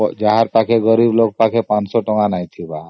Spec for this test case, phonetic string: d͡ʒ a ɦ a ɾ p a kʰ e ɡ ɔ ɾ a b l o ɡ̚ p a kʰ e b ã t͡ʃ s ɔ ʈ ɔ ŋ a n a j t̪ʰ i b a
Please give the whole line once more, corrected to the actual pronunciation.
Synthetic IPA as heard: d͡ʒ a ɦ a ɾ p a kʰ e ɡ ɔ ɾ i b l o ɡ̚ p a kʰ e p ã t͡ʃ s ɔ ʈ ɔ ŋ a n a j t̪ʰ i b a